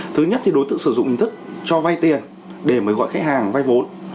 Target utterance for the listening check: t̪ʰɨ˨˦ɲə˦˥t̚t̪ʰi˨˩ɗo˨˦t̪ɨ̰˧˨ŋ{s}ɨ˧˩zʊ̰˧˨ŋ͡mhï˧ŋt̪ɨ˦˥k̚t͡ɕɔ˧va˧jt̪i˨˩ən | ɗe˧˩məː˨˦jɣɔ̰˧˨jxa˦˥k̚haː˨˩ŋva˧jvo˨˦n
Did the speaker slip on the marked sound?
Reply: no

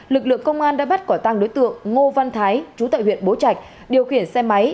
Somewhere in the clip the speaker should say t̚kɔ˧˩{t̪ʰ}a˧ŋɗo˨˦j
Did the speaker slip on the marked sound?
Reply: yes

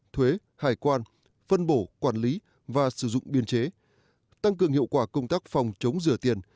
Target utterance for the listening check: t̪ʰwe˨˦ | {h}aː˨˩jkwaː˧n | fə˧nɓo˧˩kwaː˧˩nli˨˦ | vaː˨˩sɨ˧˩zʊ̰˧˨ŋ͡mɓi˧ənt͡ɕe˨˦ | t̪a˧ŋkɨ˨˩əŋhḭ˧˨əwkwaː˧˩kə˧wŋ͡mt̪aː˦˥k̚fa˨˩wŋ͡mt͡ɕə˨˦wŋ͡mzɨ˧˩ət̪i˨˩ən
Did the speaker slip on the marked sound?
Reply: no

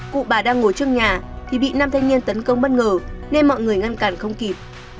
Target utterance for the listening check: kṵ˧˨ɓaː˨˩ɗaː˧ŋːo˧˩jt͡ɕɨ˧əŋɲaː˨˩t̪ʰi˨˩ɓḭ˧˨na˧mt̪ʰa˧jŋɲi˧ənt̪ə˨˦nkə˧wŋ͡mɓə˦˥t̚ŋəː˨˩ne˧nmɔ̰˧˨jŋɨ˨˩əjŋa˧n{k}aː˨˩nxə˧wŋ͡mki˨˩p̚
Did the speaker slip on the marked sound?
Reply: no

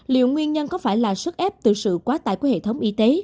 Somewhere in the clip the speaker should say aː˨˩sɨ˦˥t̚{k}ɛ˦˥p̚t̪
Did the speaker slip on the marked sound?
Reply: yes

